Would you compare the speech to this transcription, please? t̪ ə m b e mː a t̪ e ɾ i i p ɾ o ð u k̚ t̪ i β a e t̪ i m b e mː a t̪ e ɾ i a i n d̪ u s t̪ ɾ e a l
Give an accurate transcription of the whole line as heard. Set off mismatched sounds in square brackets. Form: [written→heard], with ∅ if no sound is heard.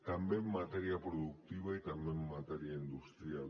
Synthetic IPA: t̪ [ə→a] m b e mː a t̪ e ɾ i [i→a] p ɾ o ð u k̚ t̪ i β a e t̪ [i→a] m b e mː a t̪ e ɾ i a i n d̪ u s t̪ ɾ [e→i] a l